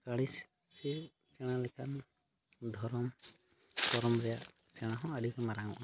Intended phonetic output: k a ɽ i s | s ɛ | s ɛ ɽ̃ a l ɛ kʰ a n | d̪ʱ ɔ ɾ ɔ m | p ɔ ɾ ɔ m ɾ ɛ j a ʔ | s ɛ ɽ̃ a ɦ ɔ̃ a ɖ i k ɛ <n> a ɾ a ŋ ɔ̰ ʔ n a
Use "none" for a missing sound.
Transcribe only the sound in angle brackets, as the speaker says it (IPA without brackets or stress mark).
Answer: m